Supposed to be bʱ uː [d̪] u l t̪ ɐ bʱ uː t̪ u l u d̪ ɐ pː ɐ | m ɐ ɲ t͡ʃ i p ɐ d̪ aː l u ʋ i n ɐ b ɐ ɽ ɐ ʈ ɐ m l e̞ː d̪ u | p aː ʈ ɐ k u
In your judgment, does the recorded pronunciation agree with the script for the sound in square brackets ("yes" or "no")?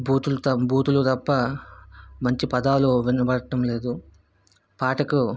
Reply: no